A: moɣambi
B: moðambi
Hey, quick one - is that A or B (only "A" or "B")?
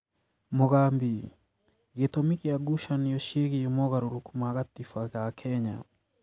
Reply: A